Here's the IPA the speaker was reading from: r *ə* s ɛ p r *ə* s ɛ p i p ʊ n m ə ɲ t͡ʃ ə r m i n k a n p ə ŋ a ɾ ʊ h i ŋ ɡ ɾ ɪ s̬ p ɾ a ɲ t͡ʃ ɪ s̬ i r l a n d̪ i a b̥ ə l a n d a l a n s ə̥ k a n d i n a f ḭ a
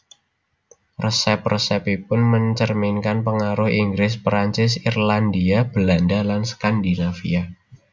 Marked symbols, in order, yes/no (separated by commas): yes, yes